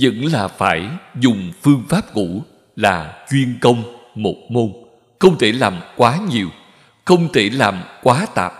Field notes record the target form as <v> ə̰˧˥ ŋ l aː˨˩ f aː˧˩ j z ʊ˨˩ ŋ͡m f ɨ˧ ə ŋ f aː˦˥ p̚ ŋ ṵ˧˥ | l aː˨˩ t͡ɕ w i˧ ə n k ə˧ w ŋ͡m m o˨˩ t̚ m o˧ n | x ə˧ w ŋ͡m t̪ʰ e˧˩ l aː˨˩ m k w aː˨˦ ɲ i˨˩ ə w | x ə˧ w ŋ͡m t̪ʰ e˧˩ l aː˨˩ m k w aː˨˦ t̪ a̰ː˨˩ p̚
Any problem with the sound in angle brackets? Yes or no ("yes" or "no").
yes